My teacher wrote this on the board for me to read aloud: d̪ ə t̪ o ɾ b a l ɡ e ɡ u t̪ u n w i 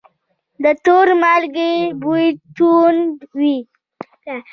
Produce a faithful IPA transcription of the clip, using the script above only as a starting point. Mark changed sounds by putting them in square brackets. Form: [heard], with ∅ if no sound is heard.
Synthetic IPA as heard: d̪ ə t̪ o ɾ [m] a l ɡ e [b] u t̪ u n w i